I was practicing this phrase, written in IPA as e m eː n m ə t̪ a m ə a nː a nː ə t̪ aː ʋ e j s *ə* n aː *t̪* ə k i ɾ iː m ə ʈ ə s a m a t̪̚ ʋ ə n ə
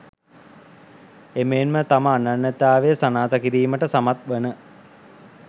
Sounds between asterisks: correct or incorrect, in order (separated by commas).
incorrect, correct